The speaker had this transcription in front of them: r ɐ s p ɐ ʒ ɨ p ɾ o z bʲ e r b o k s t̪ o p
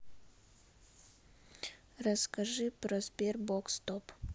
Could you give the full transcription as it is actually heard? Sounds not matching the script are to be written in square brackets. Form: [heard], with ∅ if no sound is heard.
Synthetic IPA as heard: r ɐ s [k] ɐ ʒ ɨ p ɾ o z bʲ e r b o k s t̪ o p